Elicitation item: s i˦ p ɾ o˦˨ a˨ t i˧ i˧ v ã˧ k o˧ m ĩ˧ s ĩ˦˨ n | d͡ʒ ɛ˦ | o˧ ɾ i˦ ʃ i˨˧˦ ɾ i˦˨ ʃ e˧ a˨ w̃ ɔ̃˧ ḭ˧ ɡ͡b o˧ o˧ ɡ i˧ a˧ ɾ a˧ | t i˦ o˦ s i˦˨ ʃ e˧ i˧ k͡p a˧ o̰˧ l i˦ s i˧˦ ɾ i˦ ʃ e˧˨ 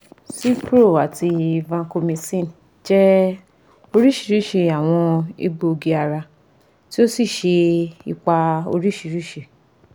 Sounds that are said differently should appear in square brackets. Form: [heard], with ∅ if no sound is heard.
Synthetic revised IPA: s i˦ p ɾ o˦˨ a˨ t i˧ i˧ v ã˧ k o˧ m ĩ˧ s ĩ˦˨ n | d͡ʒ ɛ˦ | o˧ ɾ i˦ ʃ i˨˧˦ ɾ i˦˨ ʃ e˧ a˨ w̃ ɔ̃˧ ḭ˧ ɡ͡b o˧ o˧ ɡ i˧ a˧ ɾ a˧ | t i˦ o˦ s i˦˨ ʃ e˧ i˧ k͡p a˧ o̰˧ [ɾ] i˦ [ʃ] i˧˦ ɾ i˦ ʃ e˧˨